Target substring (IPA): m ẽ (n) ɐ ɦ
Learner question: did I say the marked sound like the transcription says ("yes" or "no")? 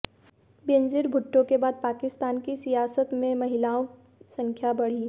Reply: no